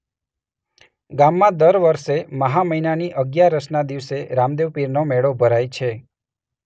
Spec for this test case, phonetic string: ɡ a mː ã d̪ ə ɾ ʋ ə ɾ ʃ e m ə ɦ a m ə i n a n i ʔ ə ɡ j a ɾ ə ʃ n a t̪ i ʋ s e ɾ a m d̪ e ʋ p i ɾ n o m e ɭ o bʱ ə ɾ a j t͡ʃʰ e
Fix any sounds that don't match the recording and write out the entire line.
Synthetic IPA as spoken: ɡ a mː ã d̪ ə ɾ ʋ ə ɾ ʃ e m ə ɦ a m ə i n a n i ʔ ə ɡ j a ɾ ə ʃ n a d̪ i ʋ s e ɾ a m d̪ e ʋ p i ɾ n o m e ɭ o bʱ ə ɾ a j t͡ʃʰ e